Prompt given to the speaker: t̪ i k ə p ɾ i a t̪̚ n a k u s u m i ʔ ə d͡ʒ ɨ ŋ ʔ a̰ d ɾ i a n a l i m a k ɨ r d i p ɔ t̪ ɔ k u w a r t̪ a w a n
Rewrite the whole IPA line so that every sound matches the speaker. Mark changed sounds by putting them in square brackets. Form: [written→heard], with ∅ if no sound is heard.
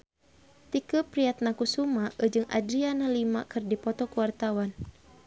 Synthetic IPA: t̪ i k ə p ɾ i a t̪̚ n a k u s u m [i→a] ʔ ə d͡ʒ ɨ ŋ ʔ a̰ d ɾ i a n a l i m a k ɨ r d i p ɔ t̪ ɔ k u w a r t̪ a w a n